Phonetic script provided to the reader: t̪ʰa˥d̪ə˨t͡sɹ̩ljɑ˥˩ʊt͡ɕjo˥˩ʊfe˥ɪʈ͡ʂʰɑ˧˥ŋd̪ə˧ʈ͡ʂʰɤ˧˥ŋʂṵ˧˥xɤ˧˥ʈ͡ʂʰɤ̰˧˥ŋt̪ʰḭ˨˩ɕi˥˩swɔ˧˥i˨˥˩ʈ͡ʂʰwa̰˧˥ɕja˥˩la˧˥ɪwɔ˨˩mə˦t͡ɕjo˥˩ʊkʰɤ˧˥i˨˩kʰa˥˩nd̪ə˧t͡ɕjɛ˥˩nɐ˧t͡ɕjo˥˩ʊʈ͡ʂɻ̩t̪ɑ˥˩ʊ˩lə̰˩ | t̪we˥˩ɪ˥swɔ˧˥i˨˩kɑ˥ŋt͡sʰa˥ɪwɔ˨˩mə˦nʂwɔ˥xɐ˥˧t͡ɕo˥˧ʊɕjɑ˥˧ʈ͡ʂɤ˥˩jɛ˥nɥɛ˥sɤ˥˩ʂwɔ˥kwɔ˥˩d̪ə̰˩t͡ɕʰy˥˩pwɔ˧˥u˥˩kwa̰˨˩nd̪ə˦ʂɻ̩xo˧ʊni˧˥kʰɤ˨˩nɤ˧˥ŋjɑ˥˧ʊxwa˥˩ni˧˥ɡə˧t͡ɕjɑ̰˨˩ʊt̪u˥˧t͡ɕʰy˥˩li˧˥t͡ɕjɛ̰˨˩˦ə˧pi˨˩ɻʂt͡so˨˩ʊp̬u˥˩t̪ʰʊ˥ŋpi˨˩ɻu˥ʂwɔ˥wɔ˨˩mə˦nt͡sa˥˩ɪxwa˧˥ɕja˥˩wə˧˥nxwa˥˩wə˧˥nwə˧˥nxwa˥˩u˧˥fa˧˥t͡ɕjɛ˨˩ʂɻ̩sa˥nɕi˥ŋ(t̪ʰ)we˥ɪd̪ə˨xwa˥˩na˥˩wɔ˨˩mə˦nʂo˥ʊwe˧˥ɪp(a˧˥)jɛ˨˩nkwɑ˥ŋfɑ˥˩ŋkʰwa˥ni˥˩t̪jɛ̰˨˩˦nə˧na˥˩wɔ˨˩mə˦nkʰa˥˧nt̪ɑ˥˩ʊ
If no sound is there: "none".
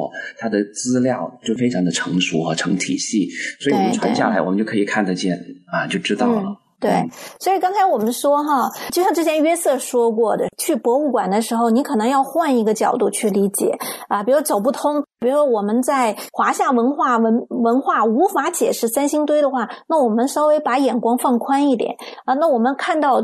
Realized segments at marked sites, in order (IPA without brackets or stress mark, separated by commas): t̪, a˧˥